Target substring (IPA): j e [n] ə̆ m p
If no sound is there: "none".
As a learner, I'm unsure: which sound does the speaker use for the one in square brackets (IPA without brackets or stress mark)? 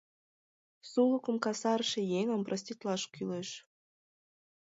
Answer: ŋ